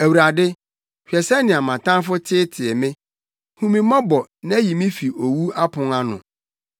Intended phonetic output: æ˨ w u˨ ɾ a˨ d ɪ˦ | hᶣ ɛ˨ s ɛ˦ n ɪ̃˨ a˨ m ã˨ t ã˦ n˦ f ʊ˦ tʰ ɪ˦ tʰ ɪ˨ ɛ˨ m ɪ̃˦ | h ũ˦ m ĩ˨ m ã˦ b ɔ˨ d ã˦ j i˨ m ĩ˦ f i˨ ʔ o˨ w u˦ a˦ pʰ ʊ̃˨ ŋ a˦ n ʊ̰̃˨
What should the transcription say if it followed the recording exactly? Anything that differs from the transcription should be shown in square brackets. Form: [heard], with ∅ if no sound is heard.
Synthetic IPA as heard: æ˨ w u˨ ɾ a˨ d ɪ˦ | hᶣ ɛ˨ s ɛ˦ n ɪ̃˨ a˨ m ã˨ t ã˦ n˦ f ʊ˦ tʰ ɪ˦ tʰ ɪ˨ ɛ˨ m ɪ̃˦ | h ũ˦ m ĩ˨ m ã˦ b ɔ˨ [n] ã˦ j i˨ m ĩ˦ f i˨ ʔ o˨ w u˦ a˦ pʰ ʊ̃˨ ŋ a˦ n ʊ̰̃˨